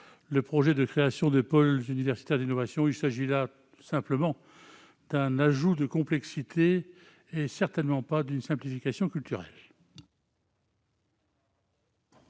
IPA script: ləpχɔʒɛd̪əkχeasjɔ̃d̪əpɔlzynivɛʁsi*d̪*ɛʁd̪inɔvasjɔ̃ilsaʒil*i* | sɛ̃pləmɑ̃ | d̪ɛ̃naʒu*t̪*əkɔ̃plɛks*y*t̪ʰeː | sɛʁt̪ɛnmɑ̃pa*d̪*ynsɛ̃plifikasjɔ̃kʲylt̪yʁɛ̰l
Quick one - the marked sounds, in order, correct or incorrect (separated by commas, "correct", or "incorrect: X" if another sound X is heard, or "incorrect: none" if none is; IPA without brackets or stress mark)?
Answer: incorrect: t̪, incorrect: a, incorrect: d̪, incorrect: i, correct